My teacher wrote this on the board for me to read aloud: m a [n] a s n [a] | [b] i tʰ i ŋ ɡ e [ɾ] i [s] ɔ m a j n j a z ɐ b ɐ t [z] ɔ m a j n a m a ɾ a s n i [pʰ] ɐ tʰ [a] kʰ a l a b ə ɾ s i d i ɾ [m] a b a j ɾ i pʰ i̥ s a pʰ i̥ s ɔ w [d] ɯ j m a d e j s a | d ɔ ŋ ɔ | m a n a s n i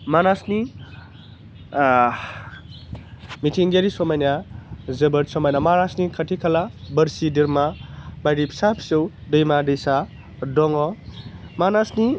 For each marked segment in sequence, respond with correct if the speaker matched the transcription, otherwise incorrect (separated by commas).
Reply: correct, incorrect, incorrect, correct, correct, incorrect, incorrect, incorrect, correct, correct